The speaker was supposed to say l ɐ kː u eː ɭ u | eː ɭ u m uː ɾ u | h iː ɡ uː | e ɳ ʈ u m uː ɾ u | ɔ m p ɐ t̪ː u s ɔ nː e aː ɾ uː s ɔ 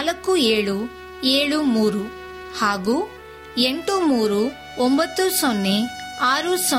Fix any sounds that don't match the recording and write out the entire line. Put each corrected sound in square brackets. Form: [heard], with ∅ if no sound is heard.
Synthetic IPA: l ɐ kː u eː ɭ u | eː ɭ u m uː ɾ u | h [aː] ɡ uː | e ɳ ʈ u m uː ɾ u | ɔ m [b] ɐ t̪ː u s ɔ nː e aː ɾ [u] s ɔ